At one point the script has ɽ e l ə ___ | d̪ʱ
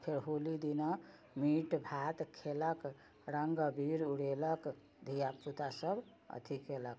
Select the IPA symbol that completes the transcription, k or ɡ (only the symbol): k